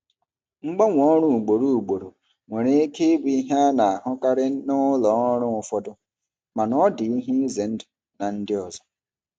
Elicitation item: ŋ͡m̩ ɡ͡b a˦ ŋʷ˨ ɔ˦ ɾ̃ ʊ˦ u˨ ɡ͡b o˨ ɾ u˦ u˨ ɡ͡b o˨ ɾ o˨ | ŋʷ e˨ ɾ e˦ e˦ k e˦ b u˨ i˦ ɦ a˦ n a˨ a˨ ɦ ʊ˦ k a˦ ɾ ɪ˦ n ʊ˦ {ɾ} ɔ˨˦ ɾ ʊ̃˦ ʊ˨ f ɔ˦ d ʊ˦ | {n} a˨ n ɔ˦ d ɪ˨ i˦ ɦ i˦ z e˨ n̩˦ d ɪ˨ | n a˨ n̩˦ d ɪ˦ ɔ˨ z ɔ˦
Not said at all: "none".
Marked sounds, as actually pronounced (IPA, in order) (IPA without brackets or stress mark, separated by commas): l, m